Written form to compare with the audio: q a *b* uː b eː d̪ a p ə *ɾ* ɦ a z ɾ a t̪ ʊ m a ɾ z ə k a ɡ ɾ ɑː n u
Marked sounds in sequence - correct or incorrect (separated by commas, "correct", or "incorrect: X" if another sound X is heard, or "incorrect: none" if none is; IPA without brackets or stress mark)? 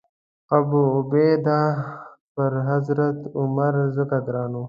correct, correct